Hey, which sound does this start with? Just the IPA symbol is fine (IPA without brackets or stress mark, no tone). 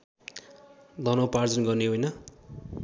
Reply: d̪